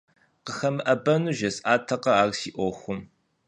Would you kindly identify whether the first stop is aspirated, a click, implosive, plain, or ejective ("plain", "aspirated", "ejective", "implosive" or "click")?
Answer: plain